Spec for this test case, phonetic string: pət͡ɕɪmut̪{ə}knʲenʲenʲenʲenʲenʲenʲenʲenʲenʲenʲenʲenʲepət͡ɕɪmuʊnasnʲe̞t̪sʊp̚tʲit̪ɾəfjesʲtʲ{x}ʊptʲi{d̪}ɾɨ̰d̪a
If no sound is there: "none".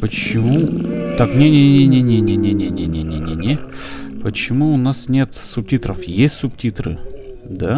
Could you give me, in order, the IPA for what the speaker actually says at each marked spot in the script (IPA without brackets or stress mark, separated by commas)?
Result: a, s, t̪